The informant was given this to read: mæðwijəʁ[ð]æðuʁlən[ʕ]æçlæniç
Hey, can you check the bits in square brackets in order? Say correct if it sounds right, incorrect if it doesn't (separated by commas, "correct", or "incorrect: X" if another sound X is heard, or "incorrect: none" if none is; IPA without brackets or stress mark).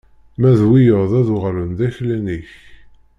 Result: correct, incorrect: ð